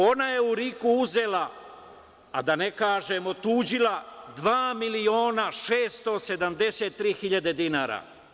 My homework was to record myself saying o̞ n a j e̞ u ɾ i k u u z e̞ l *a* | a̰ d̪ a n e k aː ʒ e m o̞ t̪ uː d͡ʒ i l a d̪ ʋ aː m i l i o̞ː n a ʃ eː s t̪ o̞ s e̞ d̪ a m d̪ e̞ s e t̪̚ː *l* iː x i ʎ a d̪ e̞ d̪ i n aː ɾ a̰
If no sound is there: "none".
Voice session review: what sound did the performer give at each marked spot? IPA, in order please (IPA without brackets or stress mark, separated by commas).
a, ɾ